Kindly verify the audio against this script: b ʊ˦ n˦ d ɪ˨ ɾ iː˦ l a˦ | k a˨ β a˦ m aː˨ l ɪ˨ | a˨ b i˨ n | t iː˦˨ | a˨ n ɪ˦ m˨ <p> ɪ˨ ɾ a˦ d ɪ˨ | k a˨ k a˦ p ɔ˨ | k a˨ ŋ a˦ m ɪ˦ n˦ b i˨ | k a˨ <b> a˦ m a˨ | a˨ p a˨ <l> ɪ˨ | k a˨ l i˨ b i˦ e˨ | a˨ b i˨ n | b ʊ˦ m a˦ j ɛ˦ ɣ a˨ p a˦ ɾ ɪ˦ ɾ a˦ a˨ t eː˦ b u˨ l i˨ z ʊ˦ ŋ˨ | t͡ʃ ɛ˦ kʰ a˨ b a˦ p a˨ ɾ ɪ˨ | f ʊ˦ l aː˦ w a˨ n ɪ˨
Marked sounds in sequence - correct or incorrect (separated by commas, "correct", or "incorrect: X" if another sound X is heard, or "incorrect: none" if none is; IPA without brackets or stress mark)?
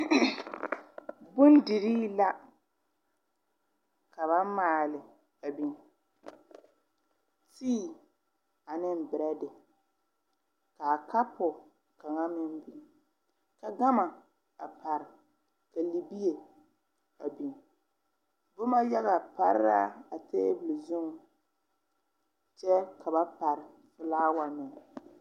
incorrect: b, incorrect: ɡ, incorrect: ɾ